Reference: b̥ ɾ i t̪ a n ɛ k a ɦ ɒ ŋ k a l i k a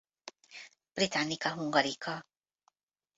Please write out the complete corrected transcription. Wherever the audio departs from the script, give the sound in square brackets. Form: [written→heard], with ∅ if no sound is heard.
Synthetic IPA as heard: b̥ ɾ i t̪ a n [ɛ→i] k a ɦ [ɒ→u] ŋ [k→ɡ] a [l→ɾ] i k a